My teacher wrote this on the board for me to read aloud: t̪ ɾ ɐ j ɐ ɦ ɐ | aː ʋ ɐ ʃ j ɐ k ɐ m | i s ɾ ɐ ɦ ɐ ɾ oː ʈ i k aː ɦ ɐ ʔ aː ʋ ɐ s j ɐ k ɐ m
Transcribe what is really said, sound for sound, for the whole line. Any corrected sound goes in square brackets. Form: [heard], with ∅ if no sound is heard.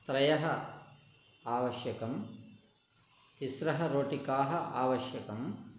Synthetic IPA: t̪ ɾ ɐ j ɐ ɦ ɐ | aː ʋ ɐ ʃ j ɐ k ɐ m | i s ɾ ɐ ɦ ɐ ɾ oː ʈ i k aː ɦ ɐ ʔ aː ʋ ɐ [ʃ] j ɐ k ɐ m